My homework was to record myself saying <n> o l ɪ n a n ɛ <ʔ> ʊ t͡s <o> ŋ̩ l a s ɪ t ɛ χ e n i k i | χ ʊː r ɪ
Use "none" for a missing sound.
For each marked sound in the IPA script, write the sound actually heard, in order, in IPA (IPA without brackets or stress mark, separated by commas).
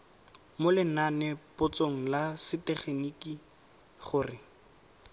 m, p, o